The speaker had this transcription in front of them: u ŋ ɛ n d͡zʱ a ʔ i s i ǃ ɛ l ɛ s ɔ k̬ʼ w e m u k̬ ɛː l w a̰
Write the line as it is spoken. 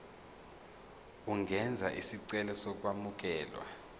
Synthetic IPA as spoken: u ŋ ɛ n d͡zʱ a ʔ i s i ǀ ɛ l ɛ s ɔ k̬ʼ w a m u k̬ ɛː l w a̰